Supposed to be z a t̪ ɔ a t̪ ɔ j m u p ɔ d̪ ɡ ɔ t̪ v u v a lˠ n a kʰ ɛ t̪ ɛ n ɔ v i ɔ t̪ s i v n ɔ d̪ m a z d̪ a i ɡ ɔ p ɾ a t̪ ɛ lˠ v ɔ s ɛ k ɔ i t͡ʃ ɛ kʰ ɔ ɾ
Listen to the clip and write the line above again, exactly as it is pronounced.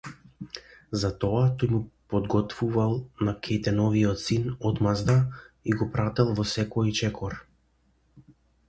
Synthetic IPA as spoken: z a t̪ ɔ a t̪ ɔ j m u p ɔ d̪ ɡ ɔ t̪ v u v a lˠ n a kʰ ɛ t̪ ɛ n ɔ v i ɔ t̪ s i n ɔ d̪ m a z d̪ a i ɡ ɔ p ɾ a t̪ ɛ lˠ v ɔ s ɛ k ɔ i t͡ʃ ɛ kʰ ɔ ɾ

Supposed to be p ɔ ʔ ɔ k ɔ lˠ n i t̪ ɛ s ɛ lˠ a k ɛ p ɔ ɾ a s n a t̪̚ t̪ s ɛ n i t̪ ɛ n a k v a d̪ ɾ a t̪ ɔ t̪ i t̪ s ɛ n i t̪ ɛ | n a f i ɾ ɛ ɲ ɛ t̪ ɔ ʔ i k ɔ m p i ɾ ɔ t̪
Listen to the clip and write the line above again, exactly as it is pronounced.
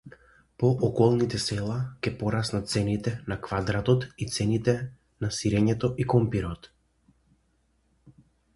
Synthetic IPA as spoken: p ɔ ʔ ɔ k ɔ lˠ n i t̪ ɛ s ɛ lˠ a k ɛ p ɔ ɾ a s n a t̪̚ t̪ s ɛ n i t̪ ɛ n a k v a d̪ ɾ a t̪ ɔ t̪ i t̪ s ɛ n i t̪ ɛ | n a s i ɾ ɛ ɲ ɛ t̪ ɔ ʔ i k ɔ m p i ɾ ɔ t̪

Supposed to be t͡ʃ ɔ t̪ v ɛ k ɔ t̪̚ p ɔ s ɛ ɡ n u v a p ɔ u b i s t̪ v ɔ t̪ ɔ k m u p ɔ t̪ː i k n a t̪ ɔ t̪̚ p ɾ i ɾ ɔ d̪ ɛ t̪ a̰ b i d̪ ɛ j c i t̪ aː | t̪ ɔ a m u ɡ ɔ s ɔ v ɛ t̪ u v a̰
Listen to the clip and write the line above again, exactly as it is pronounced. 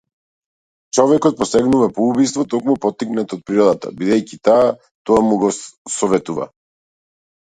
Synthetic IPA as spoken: t͡ʃ ɔ v ɛ k ɔ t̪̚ p ɔ s ɛ ɡ n u v a p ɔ u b i s t̪ v ɔ t̪ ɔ k m u p ɔ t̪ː i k n a t̪ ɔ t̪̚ p ɾ i ɾ ɔ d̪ a t̪ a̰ b i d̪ ɛ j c i t̪ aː | t̪ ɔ a m u ɡ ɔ s ɔ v ɛ t̪ u v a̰

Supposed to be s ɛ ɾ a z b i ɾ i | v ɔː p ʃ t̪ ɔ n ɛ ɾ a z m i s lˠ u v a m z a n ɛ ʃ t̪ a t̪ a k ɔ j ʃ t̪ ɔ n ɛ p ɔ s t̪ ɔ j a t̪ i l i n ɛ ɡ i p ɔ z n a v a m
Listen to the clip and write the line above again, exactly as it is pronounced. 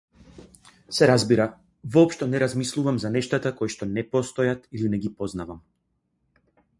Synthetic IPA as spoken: s ɛ ɾ a z b i ɾ a | v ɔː p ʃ t̪ ɔ n ɛ ɾ a z m i s lˠ u v a m z a n ɛ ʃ t̪ a t̪ a k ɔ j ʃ t̪ ɔ n ɛ p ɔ s t̪ ɔ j a t̪ i l i n ɛ ɡ i p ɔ z n a v a m

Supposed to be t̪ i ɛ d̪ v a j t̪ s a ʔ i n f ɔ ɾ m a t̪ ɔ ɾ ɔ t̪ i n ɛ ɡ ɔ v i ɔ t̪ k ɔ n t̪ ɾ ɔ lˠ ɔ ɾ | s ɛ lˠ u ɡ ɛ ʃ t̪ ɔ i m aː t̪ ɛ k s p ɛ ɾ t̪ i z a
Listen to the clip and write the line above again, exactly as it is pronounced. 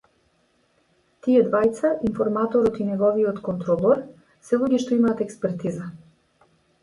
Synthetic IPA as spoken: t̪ i ɛ d̪ v a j t̪ s a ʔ i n f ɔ ɾ m a t̪ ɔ ɾ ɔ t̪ i n ɛ ɡ ɔ v i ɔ t̪ k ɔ n t̪ ɾ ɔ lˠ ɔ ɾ | s ɛ lˠ u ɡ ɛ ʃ t̪ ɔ i m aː t̪ ɛ k s p ɛ ɾ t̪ i z a

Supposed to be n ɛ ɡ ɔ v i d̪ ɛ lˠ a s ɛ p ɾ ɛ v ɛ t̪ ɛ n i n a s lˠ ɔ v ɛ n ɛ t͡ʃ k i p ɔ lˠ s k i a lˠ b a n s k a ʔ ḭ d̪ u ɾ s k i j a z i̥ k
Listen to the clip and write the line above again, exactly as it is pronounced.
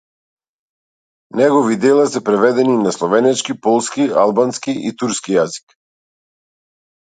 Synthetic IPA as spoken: n ɛ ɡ ɔ v i d̪ ɛ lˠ a s ɛ p ɾ ɛ v ɛ d̪ ɛ n i n a s lˠ ɔ v ɛ n ɛ t͡ʃ k i p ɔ lˠ s k i a lˠ b a n s k i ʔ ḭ t̪ u ɾ s k i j a z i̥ k

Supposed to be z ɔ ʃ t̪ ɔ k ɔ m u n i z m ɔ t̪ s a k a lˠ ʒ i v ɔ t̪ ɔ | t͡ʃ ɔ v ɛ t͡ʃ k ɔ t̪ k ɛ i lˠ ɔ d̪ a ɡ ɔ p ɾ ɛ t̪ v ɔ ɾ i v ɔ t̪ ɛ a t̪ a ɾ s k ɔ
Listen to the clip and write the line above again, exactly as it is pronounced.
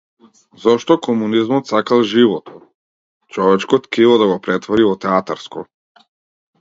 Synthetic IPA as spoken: z ɔ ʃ t̪ ɔ k ɔ m u n i z m ɔ t̪ s a k a lˠ ʒ i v ɔ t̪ ɔ | t͡ʃ ɔ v ɛ t͡ʃ k ɔ t̪ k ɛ i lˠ ɔ d̪ a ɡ ɔ p ɾ ɛ t̪ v ɔ ɾ i v ɔ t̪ ɛ a t̪ a ɾ s k ɔ

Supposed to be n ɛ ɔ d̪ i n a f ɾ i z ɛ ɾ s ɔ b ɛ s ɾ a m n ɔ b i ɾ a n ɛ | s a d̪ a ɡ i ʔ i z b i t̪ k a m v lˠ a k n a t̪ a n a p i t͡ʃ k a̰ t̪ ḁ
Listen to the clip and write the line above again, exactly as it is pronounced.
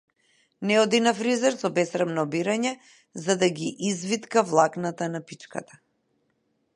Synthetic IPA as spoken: n ɛ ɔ d̪ i n a f ɾ i z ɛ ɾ s ɔ b ɛ s ɾ a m n ɔ b i ɾ a ɲ ɛ | z a d̪ a ɡ i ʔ i z v i t̪ k a v lˠ a k n a t̪ a n a p i t͡ʃ k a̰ t̪ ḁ

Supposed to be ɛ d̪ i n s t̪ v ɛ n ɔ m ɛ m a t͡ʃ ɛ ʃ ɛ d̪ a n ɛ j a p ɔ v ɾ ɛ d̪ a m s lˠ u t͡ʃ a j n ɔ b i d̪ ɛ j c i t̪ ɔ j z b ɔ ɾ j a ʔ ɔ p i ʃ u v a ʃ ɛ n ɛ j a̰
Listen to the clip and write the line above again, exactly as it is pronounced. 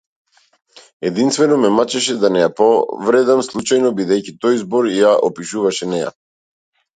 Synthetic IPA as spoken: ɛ d̪ i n s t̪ v ɛ n ɔ m ɛ m a t͡ʃ ɛ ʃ ɛ d̪ a n ɛ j a p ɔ v ɾ ɛ d̪ a m s lˠ u t͡ʃ a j n ɔ b i d̪ ɛ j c i t̪ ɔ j z b ɔ ɾ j a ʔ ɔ p i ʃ u v a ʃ ɛ n ɛ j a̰

